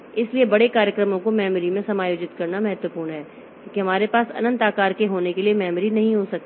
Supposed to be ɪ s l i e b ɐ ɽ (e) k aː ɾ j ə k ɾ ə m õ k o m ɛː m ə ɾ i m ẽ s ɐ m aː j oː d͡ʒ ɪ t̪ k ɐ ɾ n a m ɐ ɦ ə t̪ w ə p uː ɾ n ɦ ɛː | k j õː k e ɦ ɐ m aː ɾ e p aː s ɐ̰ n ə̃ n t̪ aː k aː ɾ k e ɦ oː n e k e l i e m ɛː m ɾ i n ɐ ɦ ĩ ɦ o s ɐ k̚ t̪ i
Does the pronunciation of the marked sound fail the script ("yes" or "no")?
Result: no